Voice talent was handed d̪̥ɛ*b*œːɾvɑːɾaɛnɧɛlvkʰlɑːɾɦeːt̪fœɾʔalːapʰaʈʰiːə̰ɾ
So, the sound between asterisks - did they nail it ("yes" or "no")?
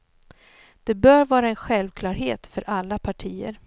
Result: yes